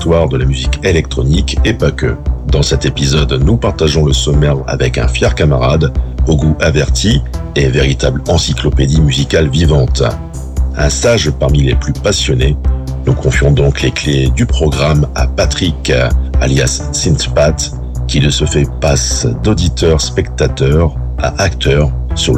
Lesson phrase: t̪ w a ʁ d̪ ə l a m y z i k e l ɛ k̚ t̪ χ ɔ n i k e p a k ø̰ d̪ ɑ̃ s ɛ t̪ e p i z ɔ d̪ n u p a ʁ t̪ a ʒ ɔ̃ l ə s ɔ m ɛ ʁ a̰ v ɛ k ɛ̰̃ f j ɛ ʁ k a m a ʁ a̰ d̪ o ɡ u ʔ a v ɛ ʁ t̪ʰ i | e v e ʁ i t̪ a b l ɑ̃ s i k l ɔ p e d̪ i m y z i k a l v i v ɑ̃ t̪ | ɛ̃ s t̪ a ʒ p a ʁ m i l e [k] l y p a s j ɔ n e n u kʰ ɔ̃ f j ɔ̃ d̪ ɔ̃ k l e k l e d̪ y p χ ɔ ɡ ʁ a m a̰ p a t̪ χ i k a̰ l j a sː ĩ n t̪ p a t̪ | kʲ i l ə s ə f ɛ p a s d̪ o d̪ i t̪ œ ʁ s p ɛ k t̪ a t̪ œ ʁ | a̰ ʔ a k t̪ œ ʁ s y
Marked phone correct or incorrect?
incorrect